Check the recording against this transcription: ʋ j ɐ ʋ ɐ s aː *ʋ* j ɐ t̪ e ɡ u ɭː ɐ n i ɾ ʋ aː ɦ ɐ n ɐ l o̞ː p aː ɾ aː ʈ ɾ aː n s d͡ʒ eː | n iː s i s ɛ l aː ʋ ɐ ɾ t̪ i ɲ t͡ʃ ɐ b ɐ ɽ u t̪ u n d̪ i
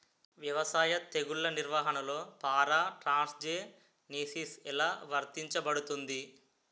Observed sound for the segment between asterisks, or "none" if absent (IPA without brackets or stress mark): none